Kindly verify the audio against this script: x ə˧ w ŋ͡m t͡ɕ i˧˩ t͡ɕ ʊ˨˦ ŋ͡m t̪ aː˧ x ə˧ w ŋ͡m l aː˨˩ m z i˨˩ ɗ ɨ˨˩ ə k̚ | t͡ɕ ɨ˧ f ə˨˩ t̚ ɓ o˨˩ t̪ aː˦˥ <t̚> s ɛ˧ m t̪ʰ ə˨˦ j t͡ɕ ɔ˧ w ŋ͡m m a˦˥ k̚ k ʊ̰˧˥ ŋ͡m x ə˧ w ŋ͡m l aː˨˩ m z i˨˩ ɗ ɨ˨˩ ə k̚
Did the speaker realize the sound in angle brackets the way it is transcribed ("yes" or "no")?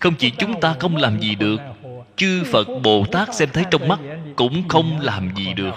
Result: no